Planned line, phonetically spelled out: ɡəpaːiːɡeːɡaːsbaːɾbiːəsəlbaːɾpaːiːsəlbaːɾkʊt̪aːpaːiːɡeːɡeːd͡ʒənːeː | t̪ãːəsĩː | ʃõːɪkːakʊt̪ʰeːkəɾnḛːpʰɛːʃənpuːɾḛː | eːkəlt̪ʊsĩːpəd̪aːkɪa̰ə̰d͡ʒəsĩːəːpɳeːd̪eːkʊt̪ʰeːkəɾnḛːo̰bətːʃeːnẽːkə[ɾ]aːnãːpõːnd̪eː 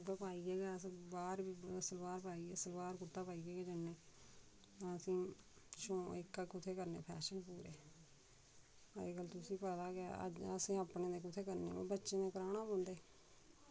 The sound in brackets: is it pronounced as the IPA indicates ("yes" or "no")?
yes